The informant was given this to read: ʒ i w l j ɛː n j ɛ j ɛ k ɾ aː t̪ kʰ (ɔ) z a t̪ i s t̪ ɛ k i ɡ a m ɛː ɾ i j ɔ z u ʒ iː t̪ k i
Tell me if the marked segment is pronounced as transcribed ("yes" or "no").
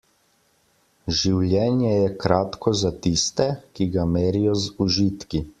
yes